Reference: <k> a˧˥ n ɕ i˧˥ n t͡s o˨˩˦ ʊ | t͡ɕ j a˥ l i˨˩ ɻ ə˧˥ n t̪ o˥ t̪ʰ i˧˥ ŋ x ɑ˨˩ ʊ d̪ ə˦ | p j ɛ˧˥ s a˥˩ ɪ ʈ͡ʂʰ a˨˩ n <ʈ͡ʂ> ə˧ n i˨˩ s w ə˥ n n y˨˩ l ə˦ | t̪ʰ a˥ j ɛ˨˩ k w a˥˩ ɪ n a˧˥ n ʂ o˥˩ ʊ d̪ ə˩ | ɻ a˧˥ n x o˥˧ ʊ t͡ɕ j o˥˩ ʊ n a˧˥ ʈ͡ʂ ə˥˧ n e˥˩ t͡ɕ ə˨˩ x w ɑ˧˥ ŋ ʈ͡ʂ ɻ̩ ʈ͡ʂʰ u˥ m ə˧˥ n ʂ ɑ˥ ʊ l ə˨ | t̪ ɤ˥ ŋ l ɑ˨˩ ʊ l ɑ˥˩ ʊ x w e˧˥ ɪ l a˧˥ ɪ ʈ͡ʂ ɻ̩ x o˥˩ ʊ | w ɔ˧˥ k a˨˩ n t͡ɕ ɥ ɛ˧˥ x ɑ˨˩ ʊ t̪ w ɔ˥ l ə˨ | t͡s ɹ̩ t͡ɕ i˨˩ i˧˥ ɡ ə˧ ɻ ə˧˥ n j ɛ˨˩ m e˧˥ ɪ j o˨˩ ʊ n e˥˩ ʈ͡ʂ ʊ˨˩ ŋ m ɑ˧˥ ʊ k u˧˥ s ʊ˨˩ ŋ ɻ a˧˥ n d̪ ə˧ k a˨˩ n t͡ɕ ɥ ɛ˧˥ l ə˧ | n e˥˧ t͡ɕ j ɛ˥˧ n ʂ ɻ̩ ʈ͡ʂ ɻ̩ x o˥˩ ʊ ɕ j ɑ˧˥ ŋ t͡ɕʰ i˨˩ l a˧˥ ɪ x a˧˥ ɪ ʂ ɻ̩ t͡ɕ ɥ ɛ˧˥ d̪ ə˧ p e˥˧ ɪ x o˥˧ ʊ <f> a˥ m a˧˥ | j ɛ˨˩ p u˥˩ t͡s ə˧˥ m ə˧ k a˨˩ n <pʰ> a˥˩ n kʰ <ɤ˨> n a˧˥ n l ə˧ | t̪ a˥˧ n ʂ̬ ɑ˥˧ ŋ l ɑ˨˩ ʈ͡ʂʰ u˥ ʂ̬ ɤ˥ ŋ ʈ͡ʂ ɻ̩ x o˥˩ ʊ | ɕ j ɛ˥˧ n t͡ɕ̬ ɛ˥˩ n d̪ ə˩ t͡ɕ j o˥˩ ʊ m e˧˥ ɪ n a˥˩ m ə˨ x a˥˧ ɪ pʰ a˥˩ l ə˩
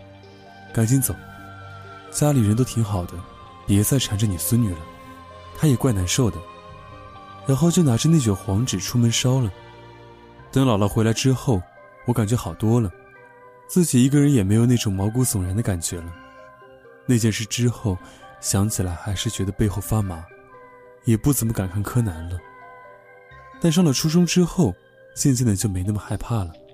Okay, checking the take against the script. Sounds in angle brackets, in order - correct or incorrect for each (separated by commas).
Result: correct, correct, correct, incorrect, incorrect